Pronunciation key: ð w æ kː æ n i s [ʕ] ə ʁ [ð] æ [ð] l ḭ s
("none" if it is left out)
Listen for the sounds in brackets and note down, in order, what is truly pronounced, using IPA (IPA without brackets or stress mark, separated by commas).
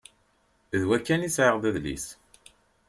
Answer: ʕ, ð, ð